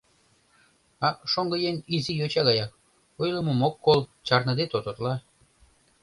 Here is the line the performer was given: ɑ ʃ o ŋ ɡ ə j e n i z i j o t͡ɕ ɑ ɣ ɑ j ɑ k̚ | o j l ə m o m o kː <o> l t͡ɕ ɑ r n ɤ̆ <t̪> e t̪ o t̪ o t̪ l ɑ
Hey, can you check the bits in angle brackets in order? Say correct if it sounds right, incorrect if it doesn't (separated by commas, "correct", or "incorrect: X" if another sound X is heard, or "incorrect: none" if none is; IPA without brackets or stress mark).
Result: correct, incorrect: d̪